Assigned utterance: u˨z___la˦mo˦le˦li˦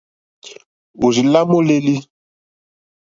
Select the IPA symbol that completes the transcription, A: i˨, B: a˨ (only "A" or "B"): A